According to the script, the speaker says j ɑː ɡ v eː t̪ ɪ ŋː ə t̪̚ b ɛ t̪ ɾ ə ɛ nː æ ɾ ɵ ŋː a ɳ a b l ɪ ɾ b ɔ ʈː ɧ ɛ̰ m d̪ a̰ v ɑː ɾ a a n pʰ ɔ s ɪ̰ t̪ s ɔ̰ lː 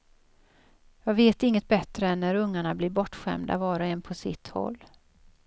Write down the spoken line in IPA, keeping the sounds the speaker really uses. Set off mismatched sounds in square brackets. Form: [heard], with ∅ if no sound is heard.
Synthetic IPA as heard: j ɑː ɡ v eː t̪ ɪ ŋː ə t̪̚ b ɛ t̪ ɾ ə ɛ nː æ ɾ ɵ ŋː a ɳ a b l ɪ ɾ b ɔ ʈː ɧ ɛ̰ m d̪ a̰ v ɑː ɾ a [ɛ] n pʰ ɔ s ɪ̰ t̪ [h] ɔ̰ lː